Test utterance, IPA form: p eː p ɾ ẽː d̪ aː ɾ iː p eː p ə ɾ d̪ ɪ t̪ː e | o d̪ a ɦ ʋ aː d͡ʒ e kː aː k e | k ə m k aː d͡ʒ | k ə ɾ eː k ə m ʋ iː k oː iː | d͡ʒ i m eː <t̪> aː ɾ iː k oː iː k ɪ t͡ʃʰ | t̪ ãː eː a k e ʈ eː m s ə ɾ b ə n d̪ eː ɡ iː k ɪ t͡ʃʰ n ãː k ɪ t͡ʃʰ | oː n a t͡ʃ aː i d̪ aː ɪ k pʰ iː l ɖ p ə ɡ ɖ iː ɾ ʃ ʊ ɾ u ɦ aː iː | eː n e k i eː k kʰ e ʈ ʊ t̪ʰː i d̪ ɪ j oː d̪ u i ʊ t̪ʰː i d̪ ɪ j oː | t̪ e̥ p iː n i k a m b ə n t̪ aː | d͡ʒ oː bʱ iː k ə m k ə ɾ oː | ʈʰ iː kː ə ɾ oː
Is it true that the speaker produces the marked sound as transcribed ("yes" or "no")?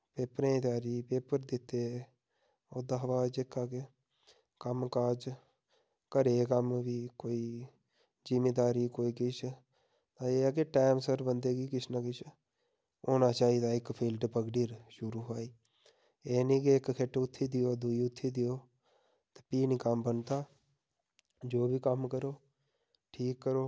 no